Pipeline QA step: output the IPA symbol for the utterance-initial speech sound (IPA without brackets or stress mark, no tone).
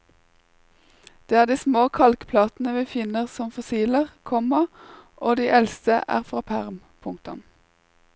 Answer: d̪̥